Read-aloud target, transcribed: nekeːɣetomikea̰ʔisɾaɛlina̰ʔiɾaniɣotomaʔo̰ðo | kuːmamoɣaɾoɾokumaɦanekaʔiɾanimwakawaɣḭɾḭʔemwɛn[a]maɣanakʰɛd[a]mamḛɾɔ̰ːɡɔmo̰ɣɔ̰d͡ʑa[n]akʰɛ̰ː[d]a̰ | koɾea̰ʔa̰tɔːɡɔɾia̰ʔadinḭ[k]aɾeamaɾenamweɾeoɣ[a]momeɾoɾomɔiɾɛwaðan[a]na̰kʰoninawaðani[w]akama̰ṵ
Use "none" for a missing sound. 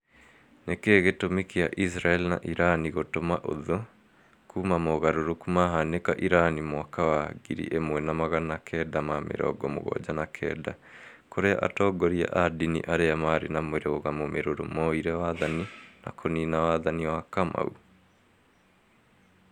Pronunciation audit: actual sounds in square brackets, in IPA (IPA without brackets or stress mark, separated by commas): a, a, n, d, ʔ, a, i, w